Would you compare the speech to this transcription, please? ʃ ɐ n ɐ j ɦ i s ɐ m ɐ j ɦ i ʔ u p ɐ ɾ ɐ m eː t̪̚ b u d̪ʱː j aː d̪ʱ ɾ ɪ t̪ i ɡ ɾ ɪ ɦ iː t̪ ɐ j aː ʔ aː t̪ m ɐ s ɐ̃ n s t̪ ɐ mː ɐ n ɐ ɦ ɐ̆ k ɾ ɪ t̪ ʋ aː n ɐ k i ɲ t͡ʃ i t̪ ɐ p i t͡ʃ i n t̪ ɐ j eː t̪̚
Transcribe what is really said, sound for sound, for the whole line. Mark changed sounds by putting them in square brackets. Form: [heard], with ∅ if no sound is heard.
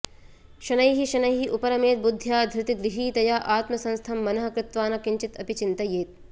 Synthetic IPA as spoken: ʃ ɐ n ɐ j ɦ i [ʃ] ɐ [n] ɐ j ɦ i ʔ u p ɐ ɾ ɐ m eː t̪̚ b u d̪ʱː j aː d̪ʱ ɾ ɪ t̪ i ɡ ɾ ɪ ɦ iː t̪ ɐ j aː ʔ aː t̪ m ɐ s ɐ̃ n s [t̪ʰ] ɐ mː ɐ n ɐ ɦ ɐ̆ k ɾ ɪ t̪ ʋ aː n ɐ k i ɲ t͡ʃ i t̪ ɐ p i t͡ʃ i n t̪ ɐ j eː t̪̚